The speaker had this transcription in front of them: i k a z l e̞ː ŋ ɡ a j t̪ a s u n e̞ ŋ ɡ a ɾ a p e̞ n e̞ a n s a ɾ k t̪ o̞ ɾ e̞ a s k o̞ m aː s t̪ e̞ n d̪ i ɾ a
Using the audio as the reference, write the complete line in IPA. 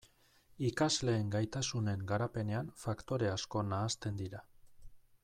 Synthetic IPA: i k a z l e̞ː ŋ ɡ a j t̪ a s u n e̞ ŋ ɡ a ɾ a p e̞ n e̞ a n f a k t̪ o̞ ɾ e̞ a s k o̞ n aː s t̪ e̞ n d̪ i ɾ a